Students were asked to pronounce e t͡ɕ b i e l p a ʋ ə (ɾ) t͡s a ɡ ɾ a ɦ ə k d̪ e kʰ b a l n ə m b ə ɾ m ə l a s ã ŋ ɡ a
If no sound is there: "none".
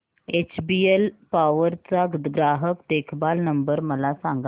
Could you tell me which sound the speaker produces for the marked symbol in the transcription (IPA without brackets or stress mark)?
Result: ɾ